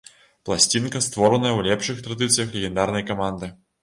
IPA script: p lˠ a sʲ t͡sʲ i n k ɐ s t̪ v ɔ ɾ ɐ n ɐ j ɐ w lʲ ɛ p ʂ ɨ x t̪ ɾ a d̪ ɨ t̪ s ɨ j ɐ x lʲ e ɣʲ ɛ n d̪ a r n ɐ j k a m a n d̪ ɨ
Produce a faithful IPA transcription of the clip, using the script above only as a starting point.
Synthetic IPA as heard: p lˠ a sʲ t͡sʲ i n k ɐ s t̪ v ɔ ɾ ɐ n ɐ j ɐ w lʲ ɛ p ʂ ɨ x t̪ ɾ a d̪ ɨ t̪ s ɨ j ɐ x lʲ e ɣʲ ɛ n d̪ a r n ɐ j k a m a n d̪ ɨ